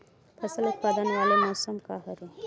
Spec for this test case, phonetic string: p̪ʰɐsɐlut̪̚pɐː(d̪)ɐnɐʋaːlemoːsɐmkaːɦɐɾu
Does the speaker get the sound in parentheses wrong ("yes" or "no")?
no